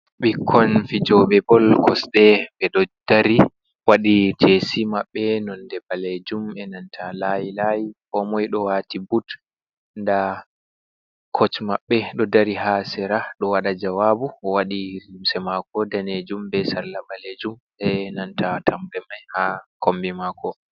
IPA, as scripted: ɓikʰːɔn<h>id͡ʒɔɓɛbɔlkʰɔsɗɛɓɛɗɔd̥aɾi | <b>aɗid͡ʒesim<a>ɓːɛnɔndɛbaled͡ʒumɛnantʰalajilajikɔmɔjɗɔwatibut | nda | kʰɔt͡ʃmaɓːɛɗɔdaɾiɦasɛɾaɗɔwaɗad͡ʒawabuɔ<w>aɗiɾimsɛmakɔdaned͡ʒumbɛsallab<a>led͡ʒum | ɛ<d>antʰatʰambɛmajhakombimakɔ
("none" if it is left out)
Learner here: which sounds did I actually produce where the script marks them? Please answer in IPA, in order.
f, w, a, w, a, n

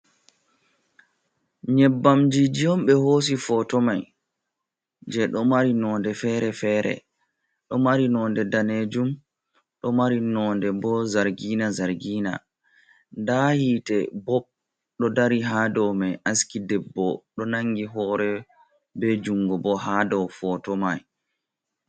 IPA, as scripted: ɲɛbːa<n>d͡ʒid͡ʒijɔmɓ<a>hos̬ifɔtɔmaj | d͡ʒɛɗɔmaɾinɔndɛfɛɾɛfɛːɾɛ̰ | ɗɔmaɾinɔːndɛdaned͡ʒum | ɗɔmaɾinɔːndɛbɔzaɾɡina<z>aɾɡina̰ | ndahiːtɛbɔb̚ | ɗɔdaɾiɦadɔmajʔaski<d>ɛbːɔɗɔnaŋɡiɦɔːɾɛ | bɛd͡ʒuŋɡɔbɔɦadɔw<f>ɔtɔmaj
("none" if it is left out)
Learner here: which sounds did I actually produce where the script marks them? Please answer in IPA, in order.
m, ɛ, z, d, f

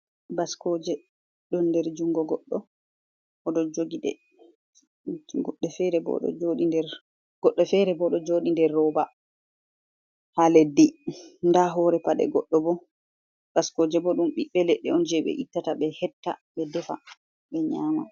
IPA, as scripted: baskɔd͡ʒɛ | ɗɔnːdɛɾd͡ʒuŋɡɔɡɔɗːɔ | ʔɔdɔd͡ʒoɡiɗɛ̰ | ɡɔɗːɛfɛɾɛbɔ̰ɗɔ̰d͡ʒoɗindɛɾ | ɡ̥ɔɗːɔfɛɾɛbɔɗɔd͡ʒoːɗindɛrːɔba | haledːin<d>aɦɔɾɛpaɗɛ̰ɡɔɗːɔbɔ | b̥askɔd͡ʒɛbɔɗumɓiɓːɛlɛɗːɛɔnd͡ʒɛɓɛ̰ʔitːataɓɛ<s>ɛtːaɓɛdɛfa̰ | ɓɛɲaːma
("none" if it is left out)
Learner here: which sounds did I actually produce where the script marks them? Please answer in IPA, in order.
d, h

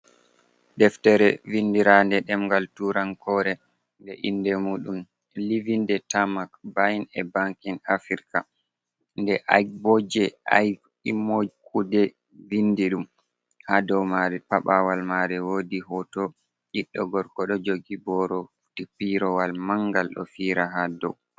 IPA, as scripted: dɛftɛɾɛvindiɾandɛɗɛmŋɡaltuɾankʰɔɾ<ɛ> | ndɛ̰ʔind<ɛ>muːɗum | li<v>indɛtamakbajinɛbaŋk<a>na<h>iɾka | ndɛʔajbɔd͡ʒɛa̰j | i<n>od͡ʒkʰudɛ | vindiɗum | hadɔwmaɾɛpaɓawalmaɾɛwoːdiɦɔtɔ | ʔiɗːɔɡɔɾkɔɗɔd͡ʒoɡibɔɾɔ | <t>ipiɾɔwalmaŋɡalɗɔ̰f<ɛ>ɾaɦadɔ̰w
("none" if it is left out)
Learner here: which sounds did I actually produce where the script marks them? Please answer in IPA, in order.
ɛ, ɛ, v, i, f, m, t, i

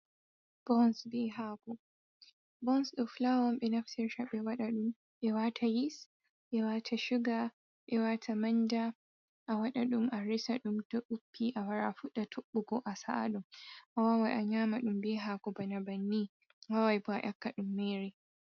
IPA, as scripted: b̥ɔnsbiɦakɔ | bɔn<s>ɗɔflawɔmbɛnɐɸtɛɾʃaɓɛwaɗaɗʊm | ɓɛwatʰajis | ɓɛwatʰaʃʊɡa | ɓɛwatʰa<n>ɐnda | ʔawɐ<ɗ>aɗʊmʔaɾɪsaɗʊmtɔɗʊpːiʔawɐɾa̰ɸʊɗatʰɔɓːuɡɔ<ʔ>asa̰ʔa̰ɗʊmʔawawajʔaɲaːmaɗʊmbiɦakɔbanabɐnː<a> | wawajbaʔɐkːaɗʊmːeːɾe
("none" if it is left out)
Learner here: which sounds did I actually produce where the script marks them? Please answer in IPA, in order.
s, m, ɗ, ʔ, i

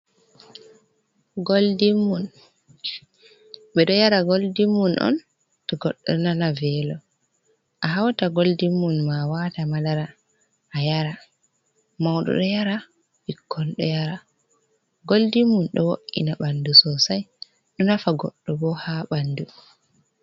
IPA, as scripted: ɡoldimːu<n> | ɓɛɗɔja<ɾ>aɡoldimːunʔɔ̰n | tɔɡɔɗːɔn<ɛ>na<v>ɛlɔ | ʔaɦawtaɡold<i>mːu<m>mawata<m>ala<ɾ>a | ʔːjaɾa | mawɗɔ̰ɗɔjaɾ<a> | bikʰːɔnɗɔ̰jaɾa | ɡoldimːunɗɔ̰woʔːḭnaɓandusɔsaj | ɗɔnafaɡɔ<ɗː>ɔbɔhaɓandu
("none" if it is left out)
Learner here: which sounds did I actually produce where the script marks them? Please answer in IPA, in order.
n, ɾ, a, v, i, n, m, ɾ, a, ɗː

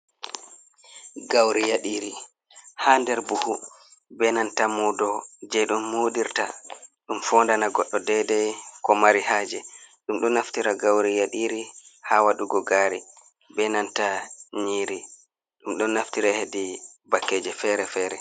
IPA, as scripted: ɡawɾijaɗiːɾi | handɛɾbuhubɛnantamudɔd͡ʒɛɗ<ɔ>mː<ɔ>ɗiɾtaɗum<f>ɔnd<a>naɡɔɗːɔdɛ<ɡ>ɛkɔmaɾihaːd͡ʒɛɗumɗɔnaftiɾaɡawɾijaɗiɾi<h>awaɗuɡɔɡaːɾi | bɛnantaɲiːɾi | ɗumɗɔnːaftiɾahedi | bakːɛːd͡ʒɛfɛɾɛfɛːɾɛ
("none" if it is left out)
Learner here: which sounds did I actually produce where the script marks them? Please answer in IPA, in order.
u, o, f, a, d, h

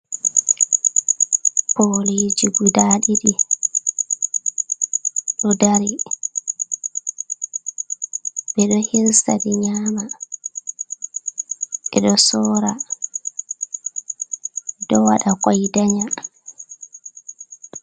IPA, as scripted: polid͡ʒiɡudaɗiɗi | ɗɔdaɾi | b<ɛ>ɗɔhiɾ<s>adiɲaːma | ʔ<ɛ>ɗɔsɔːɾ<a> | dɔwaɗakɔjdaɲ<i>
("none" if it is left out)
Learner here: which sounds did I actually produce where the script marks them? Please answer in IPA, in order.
ɛ, s, ɛ, a, a

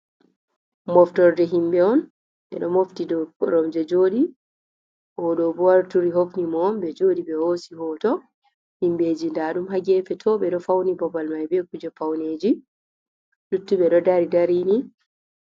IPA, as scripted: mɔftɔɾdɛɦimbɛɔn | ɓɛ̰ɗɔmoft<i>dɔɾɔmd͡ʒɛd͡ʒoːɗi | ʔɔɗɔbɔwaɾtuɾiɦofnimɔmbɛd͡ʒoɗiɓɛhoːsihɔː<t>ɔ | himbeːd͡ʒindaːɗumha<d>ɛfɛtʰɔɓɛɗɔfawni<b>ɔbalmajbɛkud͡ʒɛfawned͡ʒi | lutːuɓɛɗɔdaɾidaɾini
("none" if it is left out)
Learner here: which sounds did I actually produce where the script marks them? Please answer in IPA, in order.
i, t, ɡ, b

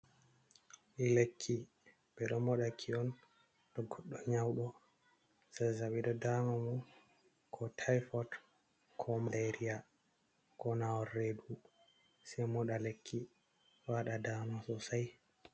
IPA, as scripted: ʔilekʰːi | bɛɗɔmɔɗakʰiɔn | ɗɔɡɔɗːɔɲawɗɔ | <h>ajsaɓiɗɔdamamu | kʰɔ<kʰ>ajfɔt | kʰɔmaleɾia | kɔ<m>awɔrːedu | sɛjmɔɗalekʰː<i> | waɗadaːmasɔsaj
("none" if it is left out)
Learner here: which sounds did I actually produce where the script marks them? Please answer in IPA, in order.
s, tʰ, n, i

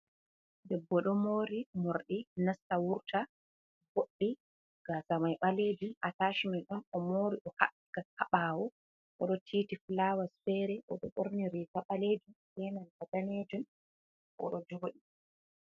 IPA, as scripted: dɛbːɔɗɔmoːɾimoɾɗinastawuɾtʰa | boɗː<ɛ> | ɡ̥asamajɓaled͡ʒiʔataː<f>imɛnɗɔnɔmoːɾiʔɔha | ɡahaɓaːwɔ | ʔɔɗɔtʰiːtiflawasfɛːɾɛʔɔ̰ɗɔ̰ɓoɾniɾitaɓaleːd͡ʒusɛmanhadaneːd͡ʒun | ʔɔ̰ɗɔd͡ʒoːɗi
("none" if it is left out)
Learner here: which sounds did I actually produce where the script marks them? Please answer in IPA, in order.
i, ʃ

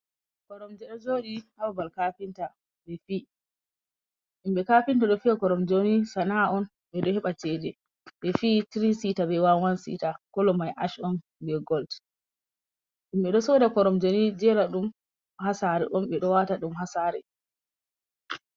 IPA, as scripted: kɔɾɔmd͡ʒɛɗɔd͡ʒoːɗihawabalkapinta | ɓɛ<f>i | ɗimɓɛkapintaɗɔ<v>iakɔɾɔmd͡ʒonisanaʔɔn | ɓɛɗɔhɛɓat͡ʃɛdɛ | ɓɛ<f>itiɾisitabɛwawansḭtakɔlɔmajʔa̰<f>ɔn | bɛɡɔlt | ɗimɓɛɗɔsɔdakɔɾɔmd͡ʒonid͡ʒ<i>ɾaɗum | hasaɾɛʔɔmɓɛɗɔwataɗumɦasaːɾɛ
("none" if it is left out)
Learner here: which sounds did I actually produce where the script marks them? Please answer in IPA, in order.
f, f, f, ʃ, ɛ

